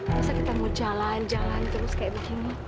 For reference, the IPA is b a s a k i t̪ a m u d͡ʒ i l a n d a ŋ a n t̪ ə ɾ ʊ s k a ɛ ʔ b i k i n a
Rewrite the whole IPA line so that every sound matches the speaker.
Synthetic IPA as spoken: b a s a k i t̪ a m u d͡ʒ a l a n d͡ʒ a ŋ a n t̪ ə ɾ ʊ s k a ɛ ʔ b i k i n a